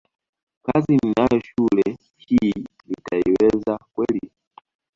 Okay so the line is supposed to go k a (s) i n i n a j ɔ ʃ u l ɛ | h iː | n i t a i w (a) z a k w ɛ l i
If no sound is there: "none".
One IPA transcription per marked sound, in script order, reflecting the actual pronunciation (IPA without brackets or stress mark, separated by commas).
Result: z, ɛ